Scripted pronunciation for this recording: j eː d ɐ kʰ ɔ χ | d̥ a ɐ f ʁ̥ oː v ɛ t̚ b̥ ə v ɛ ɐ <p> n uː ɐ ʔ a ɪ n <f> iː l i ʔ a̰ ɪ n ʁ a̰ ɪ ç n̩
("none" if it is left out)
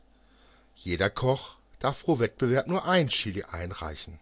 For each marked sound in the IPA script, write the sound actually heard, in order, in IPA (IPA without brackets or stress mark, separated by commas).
p, ʃ